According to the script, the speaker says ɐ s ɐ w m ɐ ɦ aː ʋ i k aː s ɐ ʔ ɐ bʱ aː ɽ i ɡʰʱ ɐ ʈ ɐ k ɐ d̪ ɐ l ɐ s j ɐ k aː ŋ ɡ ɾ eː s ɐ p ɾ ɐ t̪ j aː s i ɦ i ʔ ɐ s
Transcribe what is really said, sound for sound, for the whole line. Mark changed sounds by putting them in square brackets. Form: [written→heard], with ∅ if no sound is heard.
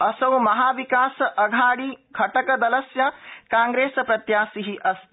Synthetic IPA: ɐ s ɐ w m ɐ ɦ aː ʋ i k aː s ɐ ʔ ɐ [bʱ→ɡʱ] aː ɽ i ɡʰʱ ɐ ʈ ɐ k ɐ d̪ ɐ l ɐ s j ɐ k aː ŋ ɡ ɾ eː s ɐ p ɾ ɐ t̪ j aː s i ɦ i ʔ ɐ s